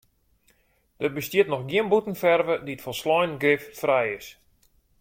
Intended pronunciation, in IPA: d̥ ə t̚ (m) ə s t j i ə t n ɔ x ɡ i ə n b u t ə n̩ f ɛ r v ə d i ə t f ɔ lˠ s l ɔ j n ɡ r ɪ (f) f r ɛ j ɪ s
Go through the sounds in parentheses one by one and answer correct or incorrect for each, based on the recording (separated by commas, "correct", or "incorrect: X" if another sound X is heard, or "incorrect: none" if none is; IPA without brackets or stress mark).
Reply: incorrect: b, correct